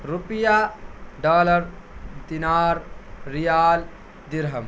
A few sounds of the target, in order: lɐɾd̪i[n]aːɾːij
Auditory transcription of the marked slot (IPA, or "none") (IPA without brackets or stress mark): n